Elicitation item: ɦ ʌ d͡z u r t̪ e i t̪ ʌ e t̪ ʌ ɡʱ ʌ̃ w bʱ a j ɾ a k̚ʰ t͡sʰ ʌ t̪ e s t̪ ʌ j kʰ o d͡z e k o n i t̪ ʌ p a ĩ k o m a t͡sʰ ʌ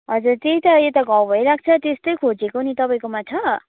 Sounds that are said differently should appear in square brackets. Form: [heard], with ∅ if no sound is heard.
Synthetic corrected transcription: ɦ ʌ d͡z u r t̪ e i t̪ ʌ e t̪ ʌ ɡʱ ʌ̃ w bʱ [ʌ] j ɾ a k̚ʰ t͡sʰ ʌ t̪ e s t̪ ʌ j kʰ o d͡z e k o n i t̪ ʌ p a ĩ k o m a t͡sʰ ʌ